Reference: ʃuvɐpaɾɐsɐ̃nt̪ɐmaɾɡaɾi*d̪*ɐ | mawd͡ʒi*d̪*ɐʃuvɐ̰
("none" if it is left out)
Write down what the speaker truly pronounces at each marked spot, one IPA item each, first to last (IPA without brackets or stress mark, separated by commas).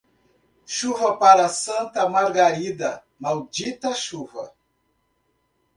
d̪, t̪